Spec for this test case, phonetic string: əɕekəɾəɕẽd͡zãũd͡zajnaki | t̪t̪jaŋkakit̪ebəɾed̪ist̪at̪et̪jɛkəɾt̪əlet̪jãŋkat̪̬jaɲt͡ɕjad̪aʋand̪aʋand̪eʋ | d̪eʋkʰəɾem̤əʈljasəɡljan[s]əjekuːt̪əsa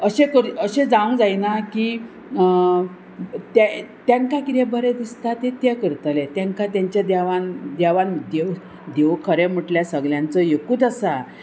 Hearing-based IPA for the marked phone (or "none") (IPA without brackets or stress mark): t͡s